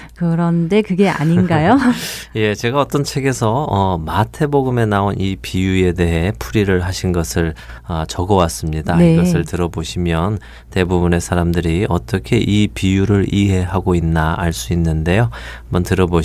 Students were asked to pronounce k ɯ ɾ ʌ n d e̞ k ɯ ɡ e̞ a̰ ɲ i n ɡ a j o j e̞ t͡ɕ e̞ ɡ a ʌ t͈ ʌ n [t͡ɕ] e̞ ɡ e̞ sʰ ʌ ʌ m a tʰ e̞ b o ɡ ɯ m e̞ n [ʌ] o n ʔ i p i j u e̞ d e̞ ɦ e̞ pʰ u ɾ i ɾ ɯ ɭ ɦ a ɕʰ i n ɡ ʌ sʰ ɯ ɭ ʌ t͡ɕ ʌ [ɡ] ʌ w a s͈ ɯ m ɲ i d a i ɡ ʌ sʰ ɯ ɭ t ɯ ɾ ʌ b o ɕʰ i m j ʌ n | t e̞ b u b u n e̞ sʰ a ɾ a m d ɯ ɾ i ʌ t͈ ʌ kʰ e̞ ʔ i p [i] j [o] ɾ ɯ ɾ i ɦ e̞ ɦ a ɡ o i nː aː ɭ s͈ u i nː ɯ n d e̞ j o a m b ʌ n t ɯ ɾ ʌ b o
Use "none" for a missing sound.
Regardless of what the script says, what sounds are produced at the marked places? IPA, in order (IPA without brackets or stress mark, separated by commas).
t͡ɕʰ, a, ɡ, i, u